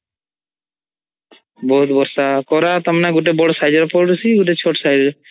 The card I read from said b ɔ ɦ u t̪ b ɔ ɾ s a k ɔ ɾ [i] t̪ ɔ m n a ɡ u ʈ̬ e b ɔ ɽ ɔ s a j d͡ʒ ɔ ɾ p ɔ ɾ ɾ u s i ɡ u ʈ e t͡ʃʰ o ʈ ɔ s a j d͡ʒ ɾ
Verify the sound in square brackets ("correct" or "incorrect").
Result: incorrect